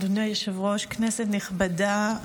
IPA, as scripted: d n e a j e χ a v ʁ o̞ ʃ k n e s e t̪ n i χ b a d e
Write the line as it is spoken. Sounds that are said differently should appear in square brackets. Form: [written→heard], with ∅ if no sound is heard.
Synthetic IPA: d n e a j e [χ→ʃ] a v ʁ o̞ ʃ k n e s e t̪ n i χ b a d [e→a]

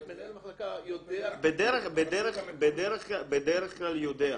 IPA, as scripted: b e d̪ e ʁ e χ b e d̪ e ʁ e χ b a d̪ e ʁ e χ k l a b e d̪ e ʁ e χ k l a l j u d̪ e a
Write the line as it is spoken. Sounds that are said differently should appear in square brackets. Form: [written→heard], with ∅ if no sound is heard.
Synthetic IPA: b e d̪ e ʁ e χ b e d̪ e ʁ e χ b [a→e] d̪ e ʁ e χ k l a b e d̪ e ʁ e χ k l a l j [u→o] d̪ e a

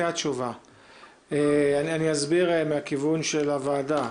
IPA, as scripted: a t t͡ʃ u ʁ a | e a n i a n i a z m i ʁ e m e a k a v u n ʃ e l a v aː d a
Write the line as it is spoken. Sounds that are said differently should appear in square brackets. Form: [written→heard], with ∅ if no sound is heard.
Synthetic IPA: a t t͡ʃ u [ʁ→v] a | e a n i a n i a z [m→b] i ʁ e m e a k [a→i] v u n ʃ e l a v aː d a

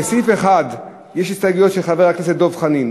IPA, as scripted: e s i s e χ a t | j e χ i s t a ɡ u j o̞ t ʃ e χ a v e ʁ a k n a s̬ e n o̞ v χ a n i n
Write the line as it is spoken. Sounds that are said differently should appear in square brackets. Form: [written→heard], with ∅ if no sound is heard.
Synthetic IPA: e s i [s→f] e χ a [t→d] | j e [χ→ʃ] i s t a ɡ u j o̞ t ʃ e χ a v e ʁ a k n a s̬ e [n→d] o̞ v χ a n i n

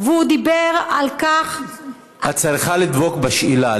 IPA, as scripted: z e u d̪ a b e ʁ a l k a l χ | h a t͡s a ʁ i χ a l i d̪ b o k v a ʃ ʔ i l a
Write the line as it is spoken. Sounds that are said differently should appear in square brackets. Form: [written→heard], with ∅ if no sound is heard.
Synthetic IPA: [z→v] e u d̪ [a→i] b e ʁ a l k a [l→∅] χ | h a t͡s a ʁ i χ a l i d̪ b o k [v→b] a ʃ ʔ i l a

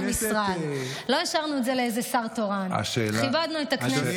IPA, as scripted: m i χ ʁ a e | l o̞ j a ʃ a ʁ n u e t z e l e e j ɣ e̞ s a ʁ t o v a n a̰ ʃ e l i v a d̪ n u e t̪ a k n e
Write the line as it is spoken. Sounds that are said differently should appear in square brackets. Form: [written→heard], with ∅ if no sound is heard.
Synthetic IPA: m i [χ→s] ʁ a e | l o̞ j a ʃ a ʁ n u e t z e l e e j [ɣ→z] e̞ s a ʁ t o [v→ʁ] a n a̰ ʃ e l i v a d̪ n u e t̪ a k n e

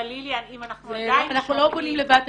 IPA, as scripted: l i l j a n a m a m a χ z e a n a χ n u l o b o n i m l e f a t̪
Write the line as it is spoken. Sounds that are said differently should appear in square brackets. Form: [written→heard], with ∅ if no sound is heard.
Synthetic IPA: l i l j a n [a→i] m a [m→n] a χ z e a n a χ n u l o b o n i m l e [f→v] a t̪

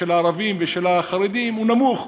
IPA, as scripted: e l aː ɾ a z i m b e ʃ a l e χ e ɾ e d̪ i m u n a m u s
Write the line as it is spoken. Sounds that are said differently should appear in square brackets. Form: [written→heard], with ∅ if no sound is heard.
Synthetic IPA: e l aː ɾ a [z→v] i m [b→v] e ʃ [a→e] l [e→a] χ [e→a] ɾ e d̪ i m u n a m u [s→χ]

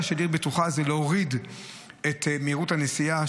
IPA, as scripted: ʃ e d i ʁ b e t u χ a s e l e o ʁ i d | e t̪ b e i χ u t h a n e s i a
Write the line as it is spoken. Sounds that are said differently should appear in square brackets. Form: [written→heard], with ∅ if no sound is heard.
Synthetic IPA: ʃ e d i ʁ b e t u χ a [s→z] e l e o ʁ i d | e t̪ [b→m] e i [χ→ʁ] u t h a n e s i a

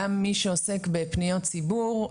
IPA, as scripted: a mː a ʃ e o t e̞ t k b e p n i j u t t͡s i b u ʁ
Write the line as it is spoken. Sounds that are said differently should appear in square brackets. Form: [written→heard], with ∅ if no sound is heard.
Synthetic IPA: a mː [a→i] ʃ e o [t→s] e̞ [t→∅] k b e p n i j [u→o] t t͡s i b u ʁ

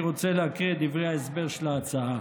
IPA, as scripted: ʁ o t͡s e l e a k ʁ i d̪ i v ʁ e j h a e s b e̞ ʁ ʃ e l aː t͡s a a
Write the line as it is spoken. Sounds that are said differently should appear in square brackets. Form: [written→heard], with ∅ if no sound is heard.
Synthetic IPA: ʁ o t͡s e l e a k ʁ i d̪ i v ʁ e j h a e s b e̞ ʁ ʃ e l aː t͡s a a

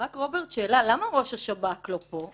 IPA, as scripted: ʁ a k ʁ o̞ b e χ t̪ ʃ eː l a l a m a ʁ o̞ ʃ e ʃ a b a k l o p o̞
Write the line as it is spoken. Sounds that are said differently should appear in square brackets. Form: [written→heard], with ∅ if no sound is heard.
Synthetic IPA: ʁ a k ʁ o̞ b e [χ→ʁ] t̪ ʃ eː l a l a m a ʁ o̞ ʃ [e→a] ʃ a b a k l o p o̞

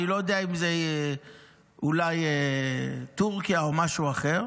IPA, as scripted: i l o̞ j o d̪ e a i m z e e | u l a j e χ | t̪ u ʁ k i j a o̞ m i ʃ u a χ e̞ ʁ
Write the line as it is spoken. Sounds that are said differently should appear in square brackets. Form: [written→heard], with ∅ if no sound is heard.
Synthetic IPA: i l o̞ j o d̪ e a i m z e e | u l a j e [χ→∅] | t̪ u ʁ k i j a o̞ m [i→a] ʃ u a χ e̞ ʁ

